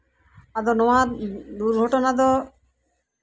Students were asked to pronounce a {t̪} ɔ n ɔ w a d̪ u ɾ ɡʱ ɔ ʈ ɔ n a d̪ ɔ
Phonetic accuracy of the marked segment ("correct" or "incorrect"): incorrect